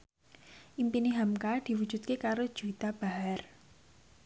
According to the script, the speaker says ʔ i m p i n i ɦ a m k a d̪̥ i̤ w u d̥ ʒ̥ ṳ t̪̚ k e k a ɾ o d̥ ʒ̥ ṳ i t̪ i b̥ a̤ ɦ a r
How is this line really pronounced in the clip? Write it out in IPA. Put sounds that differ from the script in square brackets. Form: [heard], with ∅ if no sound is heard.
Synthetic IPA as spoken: ʔ i m p i n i ɦ a m k a d̪̥ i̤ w u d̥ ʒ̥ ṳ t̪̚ k e k a ɾ o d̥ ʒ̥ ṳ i t̪ [a] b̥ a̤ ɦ a r